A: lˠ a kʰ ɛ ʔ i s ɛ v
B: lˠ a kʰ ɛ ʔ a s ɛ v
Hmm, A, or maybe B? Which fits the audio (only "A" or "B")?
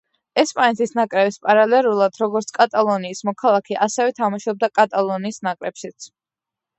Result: B